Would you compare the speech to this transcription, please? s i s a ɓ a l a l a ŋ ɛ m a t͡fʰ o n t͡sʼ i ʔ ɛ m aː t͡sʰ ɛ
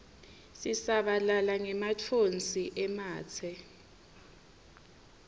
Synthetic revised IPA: s i s a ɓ a l a l a ŋ ɛ m a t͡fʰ o n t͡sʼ i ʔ ɛ m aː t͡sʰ ɛ